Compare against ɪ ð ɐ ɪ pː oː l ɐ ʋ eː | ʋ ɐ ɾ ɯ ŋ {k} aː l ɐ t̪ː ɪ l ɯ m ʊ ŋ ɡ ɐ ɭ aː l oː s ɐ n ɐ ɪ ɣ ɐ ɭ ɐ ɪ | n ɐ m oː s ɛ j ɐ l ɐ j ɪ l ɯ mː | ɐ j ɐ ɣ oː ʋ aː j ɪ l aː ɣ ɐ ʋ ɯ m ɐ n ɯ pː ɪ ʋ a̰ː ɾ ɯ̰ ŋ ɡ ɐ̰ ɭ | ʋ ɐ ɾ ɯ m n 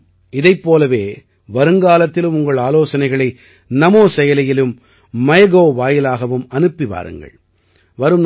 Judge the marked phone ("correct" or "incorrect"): incorrect